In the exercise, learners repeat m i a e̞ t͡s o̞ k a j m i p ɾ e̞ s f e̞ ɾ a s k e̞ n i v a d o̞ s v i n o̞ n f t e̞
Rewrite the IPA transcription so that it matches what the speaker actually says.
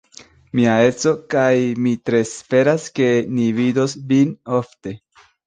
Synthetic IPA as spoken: m i a e̞ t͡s o̞ k a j m i t ɾ e̞ s f e̞ ɾ a s k e̞ n i v i d o̞ s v i n o̞ f t e̞